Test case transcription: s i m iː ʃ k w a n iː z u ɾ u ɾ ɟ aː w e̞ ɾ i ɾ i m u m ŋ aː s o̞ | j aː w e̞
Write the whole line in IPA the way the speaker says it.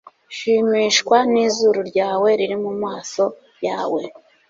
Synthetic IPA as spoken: ʃ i m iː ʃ k w a n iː z u ɾ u ɾ ɟ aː w e̞ ɾ i ɾ i m u m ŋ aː s o̞ | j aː w e̞